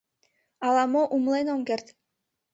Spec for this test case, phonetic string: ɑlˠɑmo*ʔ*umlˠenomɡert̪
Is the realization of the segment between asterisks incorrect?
no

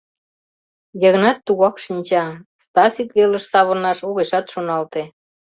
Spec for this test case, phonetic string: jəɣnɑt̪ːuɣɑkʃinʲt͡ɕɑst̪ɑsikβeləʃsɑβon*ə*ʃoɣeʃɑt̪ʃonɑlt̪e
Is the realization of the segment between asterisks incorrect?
yes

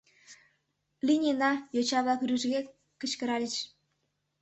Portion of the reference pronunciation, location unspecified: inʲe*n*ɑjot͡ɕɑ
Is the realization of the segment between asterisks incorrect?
no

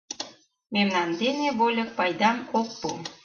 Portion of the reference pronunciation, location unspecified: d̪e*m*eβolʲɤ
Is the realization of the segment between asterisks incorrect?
yes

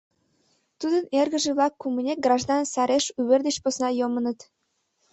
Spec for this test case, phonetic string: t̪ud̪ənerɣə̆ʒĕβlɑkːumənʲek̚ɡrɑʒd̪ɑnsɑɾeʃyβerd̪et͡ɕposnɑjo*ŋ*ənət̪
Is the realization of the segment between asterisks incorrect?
yes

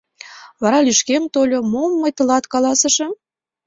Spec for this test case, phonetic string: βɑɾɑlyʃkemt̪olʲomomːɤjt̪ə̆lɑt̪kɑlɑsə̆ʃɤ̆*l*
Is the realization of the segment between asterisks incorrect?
yes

